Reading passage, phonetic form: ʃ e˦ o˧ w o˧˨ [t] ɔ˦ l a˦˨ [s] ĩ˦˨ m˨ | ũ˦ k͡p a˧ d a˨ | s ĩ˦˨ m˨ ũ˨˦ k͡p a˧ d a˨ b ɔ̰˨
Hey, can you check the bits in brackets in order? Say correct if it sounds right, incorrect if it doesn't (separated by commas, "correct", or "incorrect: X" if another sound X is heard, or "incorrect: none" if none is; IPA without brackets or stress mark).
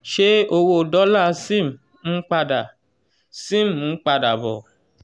incorrect: d, correct